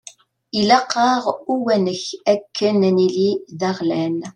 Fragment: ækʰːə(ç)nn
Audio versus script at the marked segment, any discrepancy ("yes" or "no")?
yes